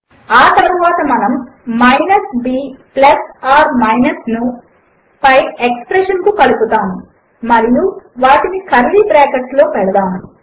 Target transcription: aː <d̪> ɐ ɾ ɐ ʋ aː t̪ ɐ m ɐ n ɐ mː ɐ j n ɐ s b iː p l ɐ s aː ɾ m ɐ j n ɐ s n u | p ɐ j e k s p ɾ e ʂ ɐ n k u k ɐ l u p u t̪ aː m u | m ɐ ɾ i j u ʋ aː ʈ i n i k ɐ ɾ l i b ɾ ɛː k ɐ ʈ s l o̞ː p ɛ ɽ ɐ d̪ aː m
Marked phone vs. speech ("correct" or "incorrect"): incorrect